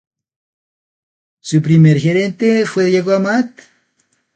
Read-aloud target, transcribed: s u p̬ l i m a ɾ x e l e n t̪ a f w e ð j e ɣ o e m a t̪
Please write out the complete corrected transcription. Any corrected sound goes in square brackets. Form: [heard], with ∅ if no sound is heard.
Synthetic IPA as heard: s u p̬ [ɾ] i m [e] ɾ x e [ɾ] e n t̪ [e] f w e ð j e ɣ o [a] m a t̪